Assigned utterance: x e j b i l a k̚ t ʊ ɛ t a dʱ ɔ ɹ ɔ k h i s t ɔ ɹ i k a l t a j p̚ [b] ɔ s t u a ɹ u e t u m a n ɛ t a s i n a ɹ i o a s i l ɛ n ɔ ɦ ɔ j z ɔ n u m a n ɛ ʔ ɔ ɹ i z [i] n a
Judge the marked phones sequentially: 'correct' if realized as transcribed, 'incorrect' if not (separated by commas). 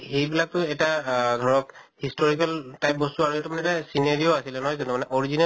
correct, correct